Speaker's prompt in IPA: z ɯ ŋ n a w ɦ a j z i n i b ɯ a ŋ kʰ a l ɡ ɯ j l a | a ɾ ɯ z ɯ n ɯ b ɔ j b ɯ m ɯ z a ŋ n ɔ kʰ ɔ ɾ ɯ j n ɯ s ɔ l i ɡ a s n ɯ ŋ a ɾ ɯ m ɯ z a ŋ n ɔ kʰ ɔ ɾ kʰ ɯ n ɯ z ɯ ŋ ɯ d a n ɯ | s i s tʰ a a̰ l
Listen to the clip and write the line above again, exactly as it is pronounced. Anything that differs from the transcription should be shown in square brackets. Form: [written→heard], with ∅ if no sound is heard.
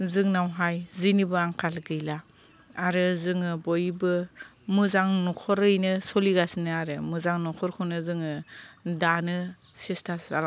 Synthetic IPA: z ɯ ŋ n a w ɦ a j z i n i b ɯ a ŋ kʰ a l ɡ ɯ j l a | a ɾ ɯ z ɯ [n→ŋ] ɯ b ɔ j b ɯ m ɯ z a ŋ n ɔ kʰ ɔ ɾ ɯ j n ɯ s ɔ l i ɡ a s n ɯ [ŋ→∅] a ɾ ɯ m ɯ z a ŋ n ɔ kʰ ɔ ɾ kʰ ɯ n ɯ z ɯ ŋ ɯ d a n ɯ | s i s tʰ a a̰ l